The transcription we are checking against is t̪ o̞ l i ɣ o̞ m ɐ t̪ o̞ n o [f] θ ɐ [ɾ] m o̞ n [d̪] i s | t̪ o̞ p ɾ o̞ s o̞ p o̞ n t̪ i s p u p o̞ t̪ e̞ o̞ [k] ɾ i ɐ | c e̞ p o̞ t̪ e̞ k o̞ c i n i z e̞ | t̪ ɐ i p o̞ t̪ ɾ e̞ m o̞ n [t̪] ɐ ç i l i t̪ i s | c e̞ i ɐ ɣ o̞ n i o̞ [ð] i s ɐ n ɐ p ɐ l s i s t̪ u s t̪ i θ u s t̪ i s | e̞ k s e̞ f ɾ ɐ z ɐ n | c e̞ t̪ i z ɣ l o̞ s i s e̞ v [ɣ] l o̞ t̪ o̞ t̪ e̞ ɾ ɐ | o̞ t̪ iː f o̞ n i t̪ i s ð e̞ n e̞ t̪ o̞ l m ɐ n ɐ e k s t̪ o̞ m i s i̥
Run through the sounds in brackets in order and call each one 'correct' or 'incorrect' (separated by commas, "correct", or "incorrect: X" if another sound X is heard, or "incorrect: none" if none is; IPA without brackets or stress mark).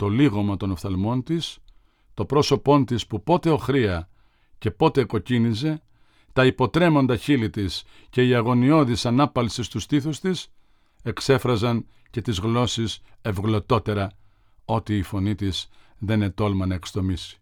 correct, incorrect: l, incorrect: t̪, incorrect: x, incorrect: d̪, correct, correct